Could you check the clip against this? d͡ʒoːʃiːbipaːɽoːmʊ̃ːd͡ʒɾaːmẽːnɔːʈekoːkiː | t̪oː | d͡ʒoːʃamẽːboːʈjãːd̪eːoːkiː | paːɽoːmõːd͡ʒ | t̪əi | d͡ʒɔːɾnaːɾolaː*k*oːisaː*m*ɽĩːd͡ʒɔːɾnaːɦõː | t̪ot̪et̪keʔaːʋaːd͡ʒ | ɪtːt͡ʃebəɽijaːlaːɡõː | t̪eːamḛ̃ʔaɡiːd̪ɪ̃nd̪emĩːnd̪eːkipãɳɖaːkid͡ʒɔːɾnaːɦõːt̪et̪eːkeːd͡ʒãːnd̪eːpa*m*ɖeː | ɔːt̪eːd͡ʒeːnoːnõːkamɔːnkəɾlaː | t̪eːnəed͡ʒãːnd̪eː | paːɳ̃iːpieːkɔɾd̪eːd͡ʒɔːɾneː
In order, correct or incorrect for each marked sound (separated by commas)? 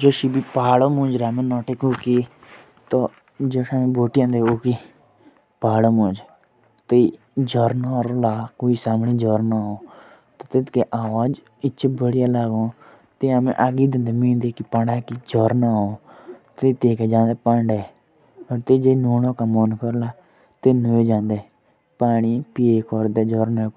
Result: correct, correct, incorrect